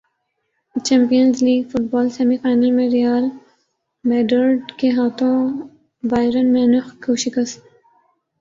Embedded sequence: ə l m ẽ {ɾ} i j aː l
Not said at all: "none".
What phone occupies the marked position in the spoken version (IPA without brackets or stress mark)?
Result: ɾ